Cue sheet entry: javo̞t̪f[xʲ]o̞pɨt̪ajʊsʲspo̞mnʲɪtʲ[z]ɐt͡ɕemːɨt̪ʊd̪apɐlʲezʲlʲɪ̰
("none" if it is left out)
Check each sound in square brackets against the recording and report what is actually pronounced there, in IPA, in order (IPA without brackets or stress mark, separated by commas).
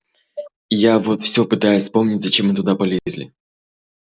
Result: sʲ, z